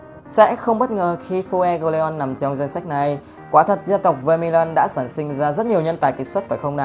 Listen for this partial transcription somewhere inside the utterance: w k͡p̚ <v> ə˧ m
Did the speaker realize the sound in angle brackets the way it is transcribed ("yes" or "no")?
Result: yes